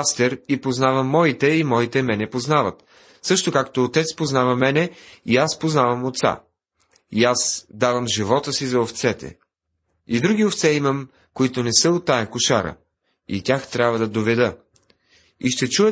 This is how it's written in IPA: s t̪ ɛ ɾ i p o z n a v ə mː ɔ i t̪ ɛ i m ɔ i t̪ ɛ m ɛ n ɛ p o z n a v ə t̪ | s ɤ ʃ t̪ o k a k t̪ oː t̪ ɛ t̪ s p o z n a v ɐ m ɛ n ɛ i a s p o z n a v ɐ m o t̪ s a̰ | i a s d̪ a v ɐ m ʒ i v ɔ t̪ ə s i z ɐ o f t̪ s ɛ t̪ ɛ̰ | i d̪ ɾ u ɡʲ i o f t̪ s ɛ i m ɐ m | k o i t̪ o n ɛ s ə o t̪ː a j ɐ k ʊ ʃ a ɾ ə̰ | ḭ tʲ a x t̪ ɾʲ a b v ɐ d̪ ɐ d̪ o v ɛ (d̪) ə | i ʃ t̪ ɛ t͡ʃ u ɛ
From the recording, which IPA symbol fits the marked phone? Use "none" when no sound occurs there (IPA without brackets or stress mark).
d̪